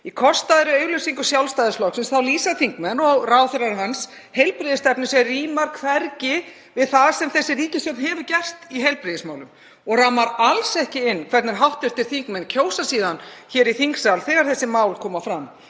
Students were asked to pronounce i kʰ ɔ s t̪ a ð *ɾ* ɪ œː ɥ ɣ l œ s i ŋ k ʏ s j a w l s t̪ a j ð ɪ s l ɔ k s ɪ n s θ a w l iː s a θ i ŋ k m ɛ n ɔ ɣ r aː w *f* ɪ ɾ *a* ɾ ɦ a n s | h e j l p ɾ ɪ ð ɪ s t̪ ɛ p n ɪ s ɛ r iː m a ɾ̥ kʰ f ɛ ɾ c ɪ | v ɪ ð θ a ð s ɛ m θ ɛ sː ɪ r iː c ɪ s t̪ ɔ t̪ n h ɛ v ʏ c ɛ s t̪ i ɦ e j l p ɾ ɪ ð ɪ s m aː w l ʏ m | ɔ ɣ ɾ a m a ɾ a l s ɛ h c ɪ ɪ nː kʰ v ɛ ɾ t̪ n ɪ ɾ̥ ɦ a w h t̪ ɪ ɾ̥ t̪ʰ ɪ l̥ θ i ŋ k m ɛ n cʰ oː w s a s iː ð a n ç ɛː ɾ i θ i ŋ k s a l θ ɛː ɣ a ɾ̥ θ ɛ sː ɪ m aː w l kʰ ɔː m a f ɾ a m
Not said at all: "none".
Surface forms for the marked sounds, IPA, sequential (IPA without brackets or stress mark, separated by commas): ɾ, θ, a